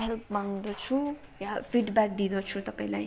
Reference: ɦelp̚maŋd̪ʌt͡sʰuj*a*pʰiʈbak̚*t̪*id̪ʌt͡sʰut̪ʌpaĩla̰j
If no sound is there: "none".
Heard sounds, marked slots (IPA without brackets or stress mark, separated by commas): a, d̪